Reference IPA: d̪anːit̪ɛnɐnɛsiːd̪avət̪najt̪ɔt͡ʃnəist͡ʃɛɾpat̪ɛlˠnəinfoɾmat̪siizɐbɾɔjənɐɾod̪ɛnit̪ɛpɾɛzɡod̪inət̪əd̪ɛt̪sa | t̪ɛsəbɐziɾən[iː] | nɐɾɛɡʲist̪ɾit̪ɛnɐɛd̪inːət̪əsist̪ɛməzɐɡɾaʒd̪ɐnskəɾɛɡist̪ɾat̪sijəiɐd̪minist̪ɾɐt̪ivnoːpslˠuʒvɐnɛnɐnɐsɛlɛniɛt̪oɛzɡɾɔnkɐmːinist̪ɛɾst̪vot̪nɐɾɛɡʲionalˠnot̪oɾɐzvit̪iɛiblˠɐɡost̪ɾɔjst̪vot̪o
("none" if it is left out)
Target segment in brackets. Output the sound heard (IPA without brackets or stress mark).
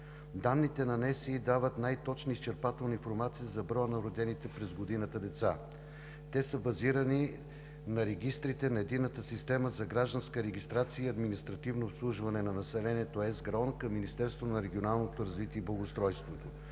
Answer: i